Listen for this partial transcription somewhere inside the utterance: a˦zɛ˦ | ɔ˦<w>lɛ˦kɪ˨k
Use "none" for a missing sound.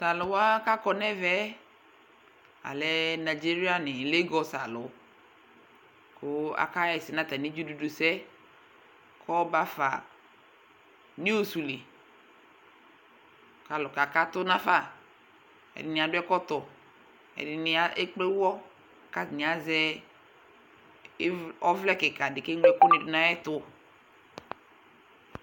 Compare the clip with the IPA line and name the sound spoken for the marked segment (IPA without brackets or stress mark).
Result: v